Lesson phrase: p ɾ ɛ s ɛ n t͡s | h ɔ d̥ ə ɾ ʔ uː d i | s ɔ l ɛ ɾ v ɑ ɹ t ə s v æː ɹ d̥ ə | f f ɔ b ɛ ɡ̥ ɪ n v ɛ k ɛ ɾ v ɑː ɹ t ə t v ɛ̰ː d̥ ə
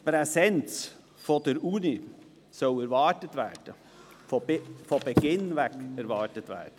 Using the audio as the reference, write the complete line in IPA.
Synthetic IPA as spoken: p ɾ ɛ s ɛ n t͡s | f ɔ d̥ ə ɾ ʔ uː n i | s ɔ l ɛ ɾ v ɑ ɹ t ə t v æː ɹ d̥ ə | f f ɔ b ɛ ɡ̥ ɪ n v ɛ k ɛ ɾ v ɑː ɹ t ə t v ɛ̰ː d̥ ə